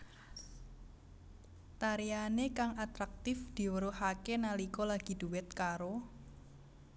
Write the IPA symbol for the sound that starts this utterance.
t̪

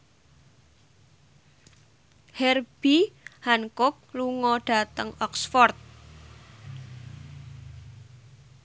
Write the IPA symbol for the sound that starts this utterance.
h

